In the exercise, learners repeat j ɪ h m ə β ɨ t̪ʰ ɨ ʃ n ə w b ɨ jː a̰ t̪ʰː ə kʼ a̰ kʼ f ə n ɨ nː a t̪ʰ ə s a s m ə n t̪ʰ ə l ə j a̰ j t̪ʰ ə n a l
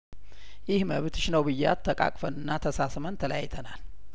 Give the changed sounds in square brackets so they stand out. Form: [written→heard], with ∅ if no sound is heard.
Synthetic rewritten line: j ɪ h m ə β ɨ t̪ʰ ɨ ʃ n ə w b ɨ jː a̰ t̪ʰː ə kʼ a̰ kʼ f ə n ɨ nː a t̪ʰ ə s a s m ə n t̪ʰ ə l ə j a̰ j t̪ʰ ə n a l